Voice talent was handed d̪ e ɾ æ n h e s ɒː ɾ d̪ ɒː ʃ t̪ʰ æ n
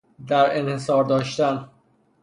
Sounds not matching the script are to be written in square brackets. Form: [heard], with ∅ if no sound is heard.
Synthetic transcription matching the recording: d̪ [æ] ɾ [e] n h e s ɒː ɾ d̪ ɒː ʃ [t̪] æ n